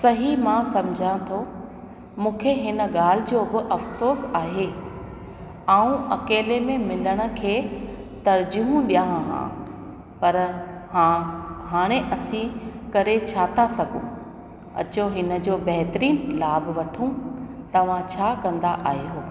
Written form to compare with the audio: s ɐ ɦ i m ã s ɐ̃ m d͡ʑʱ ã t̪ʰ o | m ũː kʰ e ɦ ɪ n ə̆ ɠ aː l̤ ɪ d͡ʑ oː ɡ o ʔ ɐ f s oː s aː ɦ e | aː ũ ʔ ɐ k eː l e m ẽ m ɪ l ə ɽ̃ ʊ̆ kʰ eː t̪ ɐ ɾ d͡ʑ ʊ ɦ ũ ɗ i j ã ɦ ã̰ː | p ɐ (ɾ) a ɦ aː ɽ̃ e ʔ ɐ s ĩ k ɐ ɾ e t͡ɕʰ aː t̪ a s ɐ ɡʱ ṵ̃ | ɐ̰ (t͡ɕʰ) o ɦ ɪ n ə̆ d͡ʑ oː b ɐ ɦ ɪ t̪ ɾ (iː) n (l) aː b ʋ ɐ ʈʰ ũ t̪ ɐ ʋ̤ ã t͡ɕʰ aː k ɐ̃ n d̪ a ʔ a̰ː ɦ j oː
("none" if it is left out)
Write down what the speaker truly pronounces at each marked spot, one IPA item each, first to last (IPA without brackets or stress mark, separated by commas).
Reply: ɾ, t͡ɕ, iː, l